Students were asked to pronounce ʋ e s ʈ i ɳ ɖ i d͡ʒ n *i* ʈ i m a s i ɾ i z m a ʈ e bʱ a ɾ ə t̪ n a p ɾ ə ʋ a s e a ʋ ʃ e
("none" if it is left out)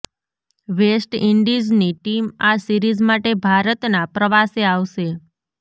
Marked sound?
i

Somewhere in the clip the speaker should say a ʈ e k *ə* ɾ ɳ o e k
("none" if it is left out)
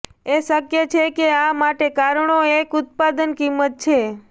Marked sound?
a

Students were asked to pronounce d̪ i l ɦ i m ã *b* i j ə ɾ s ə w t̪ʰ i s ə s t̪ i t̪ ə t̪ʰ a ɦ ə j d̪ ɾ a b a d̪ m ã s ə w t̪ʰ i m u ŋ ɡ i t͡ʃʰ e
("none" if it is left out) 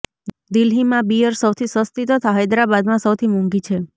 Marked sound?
b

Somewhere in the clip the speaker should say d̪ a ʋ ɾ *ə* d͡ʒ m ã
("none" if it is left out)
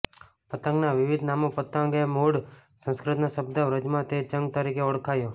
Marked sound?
ə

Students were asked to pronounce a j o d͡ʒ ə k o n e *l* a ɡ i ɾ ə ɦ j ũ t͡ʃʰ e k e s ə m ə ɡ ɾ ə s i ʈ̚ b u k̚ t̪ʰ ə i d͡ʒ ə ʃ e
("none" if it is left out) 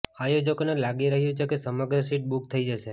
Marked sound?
l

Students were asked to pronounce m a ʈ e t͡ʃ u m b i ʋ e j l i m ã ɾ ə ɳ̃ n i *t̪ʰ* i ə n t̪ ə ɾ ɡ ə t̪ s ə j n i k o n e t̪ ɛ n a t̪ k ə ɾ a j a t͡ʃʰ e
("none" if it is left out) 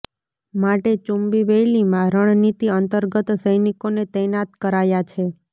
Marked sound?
t̪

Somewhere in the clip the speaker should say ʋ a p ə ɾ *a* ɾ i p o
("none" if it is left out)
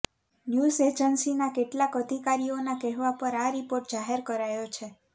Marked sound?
a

